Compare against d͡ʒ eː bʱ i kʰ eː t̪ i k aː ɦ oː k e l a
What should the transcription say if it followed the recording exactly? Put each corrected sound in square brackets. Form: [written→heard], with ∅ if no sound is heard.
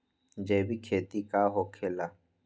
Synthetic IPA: d͡ʒ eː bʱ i kʰ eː t̪ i k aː ɦ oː [k→kʰ] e l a